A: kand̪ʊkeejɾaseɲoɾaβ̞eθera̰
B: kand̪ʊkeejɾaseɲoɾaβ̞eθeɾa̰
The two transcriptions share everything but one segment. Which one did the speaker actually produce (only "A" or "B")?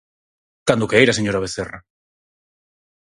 A